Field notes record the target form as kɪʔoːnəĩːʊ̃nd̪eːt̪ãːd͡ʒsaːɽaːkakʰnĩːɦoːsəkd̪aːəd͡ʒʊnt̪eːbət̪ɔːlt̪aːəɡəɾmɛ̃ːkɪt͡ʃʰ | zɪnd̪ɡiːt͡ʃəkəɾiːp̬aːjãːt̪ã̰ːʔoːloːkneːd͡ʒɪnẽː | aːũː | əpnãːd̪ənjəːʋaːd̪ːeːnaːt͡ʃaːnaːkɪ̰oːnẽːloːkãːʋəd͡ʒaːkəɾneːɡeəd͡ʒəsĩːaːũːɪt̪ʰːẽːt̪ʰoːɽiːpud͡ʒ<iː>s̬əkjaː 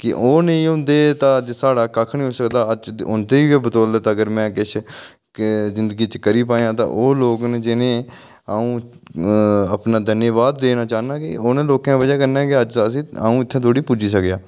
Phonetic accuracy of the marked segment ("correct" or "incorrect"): correct